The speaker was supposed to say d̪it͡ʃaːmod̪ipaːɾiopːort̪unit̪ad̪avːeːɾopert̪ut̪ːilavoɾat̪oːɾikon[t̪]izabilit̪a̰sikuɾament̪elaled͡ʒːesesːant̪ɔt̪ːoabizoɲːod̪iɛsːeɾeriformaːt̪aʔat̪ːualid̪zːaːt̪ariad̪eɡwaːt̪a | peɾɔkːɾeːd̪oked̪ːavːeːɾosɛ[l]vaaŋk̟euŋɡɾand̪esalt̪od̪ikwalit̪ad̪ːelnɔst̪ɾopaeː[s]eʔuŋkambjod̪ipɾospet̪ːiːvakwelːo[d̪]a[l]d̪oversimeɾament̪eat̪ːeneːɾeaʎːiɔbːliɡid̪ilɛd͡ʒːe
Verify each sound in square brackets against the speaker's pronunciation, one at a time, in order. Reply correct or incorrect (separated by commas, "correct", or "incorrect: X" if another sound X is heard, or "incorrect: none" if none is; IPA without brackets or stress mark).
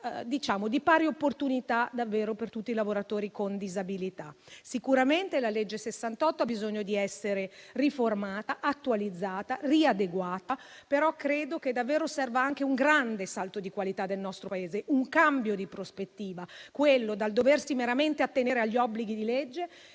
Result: incorrect: d̪, incorrect: r, incorrect: z, correct, correct